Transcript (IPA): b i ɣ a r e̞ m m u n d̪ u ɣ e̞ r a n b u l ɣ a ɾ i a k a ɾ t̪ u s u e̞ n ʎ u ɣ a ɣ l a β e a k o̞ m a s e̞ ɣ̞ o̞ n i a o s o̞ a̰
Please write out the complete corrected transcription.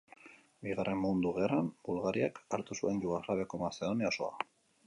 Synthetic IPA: b i ɣ a r e̞ m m u n d̪ u ɣ e̞ r a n b u l ɣ a ɾ i a k a ɾ t̪ u s u e̞ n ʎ u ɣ a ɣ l a β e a k o̞ m a s e̞ ð̞ o̞ n i a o s o̞ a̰